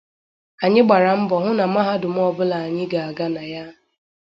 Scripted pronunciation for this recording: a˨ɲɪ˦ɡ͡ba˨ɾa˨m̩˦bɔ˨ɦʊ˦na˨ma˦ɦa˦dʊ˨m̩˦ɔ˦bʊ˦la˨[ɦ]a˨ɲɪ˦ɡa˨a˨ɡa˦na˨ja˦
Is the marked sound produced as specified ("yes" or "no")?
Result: no